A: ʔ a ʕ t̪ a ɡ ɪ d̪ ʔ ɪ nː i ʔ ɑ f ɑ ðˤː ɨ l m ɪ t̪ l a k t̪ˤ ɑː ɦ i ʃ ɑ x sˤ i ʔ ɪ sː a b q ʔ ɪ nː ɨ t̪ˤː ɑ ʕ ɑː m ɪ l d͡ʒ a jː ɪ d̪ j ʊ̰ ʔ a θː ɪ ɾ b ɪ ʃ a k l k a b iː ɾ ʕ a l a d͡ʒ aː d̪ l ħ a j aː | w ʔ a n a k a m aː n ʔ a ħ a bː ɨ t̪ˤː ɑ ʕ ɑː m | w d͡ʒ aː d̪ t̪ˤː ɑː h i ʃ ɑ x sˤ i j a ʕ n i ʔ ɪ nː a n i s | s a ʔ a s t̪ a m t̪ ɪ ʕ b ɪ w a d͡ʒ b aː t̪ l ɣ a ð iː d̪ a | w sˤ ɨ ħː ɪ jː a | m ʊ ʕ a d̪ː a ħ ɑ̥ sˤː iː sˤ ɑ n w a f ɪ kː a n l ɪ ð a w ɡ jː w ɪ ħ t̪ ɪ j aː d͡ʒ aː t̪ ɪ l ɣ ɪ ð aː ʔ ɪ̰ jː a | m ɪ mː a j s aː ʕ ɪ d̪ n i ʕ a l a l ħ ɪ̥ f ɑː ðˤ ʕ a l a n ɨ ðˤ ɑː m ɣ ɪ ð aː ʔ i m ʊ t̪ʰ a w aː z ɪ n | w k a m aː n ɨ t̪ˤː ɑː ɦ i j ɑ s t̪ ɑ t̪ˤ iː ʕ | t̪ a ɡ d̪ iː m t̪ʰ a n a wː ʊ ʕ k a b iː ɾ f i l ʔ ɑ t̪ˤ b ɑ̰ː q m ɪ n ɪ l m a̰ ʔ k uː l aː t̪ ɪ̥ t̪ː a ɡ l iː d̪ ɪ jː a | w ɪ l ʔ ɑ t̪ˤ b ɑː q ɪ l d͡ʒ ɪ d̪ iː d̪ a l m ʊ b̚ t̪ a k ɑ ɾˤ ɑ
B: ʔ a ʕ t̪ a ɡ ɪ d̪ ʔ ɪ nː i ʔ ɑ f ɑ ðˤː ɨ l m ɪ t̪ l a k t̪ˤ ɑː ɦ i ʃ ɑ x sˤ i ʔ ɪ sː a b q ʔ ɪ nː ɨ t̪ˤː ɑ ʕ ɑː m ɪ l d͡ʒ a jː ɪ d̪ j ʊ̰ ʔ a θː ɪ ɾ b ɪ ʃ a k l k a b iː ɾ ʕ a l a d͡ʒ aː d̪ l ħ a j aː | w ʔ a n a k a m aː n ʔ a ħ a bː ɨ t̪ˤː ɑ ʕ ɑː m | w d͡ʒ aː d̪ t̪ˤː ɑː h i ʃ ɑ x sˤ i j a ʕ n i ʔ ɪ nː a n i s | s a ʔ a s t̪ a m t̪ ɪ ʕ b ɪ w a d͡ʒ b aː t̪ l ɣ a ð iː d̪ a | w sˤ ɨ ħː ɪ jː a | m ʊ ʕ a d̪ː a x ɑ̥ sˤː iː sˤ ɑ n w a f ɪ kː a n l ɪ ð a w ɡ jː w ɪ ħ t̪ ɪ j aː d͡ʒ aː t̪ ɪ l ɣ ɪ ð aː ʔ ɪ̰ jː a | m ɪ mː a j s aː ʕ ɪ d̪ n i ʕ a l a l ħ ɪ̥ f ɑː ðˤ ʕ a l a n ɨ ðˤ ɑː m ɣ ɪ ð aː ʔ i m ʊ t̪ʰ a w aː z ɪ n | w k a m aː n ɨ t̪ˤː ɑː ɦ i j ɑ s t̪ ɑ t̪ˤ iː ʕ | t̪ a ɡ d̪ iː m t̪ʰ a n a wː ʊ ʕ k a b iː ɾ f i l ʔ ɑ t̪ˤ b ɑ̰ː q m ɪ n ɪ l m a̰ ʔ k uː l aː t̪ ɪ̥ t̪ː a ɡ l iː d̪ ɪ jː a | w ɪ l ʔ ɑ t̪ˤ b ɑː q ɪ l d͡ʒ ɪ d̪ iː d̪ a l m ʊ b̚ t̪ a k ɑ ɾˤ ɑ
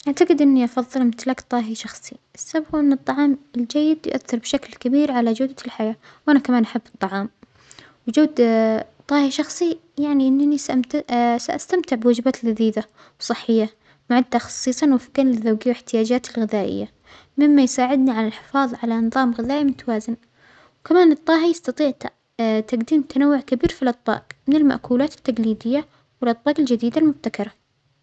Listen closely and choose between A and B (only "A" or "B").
B